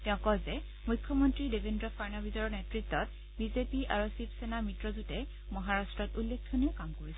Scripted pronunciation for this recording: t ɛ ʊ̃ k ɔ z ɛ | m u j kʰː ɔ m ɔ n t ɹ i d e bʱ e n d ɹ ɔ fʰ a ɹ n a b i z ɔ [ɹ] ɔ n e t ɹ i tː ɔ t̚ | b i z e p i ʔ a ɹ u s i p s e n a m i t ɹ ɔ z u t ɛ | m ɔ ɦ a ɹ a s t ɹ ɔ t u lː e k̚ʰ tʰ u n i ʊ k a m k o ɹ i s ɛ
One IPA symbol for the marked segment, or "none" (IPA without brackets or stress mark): ɹ